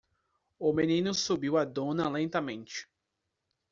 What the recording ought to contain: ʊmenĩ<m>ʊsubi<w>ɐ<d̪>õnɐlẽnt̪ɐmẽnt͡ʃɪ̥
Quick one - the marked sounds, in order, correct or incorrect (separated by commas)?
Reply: incorrect, correct, correct